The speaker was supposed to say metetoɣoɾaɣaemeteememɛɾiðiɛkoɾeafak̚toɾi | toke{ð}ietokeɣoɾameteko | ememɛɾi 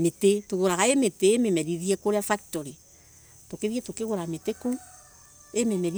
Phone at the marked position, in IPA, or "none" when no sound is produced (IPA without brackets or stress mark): ð